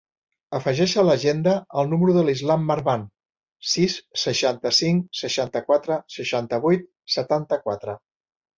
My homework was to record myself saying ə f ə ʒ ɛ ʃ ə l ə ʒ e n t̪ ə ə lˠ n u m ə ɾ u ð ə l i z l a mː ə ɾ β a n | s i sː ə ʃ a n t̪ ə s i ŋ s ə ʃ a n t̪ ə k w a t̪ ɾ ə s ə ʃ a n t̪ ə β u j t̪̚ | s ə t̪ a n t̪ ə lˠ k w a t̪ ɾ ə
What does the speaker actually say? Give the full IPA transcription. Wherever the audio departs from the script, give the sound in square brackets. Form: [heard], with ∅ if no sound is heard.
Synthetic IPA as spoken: ə f ə ʒ ɛ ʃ ə l ə ʒ e n [d̪] ə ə lˠ n u m ə ɾ u ð ə l i z l a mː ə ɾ β a n | s i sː ə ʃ a n t̪ ə s i ŋ s ə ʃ a n t̪ ə k w a t̪ ɾ ə s ə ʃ a n t̪ ə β u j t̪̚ | s ə t̪ a n t̪ ə [∅] k w a t̪ ɾ ə